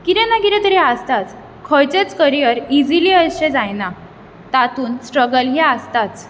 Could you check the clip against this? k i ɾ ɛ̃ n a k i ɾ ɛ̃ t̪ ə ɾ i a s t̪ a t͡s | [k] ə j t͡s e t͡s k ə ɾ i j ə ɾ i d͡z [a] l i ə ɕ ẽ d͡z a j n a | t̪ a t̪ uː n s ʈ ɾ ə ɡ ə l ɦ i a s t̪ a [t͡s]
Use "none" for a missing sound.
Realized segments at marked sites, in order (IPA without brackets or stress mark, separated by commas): kʰ, i, t͡s